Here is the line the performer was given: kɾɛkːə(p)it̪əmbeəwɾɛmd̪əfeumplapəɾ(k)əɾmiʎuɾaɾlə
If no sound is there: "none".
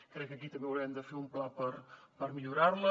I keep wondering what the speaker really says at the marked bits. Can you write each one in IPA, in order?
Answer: k, p

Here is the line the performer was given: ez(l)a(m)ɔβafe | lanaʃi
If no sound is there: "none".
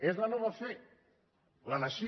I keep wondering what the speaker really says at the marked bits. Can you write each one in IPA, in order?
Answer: l, n

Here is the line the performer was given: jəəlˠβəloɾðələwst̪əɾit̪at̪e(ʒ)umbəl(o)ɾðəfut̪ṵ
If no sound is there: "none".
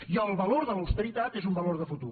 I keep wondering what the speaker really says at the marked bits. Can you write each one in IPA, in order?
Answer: z, o

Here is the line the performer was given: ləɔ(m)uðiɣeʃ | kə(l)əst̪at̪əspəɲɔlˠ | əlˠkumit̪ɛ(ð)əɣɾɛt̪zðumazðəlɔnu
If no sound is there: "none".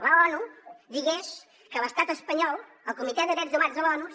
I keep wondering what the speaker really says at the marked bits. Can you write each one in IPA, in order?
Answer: n, l, ð

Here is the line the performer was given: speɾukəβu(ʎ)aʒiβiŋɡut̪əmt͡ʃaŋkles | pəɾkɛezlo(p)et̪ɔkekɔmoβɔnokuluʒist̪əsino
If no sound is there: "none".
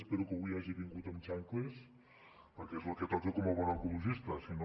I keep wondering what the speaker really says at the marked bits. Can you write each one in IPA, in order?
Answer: j, k

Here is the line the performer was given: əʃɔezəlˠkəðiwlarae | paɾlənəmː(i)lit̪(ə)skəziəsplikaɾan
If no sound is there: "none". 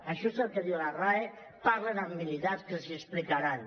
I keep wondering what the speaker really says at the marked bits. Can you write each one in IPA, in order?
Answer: i, a

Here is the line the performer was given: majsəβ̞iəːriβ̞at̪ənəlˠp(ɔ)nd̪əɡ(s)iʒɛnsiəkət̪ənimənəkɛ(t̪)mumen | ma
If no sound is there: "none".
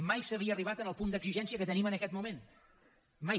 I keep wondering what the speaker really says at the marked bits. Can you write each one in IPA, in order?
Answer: u, z, t̪

